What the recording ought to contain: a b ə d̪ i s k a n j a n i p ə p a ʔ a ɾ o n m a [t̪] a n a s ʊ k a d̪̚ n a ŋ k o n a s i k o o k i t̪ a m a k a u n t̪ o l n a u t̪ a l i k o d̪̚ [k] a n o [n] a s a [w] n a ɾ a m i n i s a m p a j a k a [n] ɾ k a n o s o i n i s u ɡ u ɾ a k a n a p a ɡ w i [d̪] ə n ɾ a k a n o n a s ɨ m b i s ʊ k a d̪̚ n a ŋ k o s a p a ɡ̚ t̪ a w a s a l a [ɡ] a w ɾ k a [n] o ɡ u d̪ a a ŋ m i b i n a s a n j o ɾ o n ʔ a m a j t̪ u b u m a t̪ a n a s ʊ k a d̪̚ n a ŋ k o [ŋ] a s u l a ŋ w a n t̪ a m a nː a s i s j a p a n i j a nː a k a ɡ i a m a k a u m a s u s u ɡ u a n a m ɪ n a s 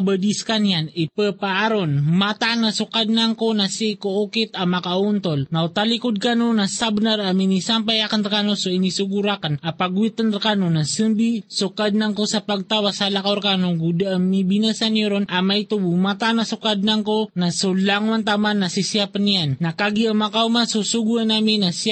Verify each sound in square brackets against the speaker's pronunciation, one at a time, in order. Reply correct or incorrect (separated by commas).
correct, correct, correct, incorrect, correct, incorrect, incorrect, correct, incorrect